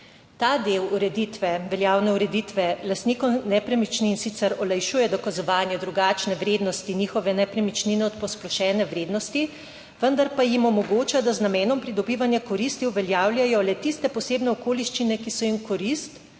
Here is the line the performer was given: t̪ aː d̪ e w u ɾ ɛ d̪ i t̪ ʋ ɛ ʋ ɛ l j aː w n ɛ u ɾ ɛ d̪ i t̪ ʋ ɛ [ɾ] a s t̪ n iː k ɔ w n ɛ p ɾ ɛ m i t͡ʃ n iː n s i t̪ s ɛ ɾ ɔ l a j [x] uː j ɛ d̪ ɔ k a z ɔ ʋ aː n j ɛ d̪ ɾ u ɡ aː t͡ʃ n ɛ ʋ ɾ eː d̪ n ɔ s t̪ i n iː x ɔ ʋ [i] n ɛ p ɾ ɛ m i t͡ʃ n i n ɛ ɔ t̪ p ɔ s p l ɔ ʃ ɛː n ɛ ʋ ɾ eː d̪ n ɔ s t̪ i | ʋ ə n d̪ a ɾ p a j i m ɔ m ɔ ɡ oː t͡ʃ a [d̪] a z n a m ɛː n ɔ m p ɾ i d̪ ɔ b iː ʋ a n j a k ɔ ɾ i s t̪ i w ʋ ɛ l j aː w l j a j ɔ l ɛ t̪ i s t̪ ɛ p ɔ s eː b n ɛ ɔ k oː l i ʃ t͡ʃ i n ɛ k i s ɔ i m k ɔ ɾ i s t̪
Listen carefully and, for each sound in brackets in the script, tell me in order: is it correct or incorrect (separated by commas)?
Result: incorrect, incorrect, incorrect, correct